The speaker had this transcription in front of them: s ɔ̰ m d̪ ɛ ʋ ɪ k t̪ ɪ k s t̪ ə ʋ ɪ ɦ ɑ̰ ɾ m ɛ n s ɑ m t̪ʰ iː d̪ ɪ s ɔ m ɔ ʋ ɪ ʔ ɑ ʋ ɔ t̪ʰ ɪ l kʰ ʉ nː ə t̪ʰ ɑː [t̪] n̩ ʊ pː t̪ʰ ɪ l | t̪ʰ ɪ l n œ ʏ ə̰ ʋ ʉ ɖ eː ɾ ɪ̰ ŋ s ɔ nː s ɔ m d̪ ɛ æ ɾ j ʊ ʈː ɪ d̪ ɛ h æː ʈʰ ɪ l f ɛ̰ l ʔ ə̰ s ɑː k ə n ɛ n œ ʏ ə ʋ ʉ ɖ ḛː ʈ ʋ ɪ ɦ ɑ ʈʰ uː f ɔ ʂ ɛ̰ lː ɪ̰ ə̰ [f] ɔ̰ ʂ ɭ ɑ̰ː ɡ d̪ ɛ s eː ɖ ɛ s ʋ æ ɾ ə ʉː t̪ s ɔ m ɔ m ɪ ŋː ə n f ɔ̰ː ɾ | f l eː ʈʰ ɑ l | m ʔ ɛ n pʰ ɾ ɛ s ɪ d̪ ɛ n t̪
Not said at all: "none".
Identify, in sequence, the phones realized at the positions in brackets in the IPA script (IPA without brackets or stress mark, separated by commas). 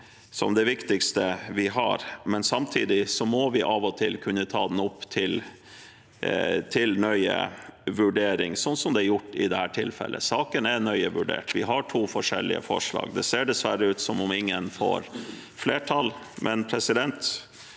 d̪, f